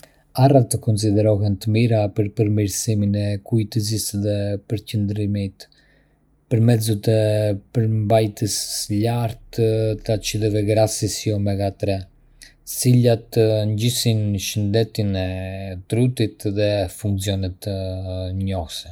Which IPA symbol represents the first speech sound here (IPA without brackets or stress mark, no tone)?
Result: a